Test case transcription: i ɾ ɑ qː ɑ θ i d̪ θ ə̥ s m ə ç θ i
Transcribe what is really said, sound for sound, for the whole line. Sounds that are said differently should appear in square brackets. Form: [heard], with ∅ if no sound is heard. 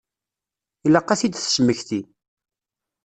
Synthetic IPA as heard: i [l] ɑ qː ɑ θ i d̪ θ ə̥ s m ə ç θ i